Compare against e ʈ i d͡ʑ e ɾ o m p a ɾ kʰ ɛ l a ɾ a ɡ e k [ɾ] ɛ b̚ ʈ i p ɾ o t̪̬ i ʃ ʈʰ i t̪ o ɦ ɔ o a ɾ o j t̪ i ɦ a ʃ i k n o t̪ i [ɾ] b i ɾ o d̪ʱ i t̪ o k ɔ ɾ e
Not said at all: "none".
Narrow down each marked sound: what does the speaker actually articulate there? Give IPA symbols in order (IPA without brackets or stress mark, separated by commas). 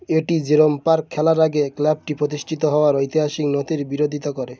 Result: l, ɾ